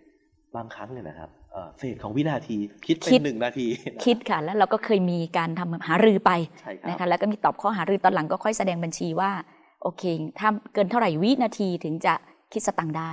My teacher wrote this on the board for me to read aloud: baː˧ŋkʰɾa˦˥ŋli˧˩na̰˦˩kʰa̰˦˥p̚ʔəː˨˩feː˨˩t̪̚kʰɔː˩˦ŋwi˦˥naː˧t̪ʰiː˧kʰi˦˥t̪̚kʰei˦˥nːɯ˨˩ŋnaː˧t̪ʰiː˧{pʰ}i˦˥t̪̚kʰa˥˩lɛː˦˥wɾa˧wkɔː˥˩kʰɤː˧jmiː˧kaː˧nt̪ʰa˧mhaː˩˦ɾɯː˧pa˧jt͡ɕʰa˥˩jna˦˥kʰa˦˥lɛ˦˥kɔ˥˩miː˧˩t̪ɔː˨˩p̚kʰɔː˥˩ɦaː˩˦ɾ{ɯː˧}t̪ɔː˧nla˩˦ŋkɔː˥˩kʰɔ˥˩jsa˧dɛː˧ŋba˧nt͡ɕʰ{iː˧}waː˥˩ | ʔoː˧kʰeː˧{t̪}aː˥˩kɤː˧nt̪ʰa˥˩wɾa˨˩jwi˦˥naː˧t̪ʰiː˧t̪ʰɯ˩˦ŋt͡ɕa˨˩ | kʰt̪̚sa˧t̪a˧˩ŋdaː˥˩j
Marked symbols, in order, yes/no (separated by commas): no, yes, yes, no